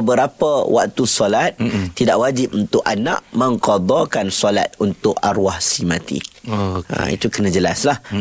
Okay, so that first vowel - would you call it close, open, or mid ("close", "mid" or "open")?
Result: mid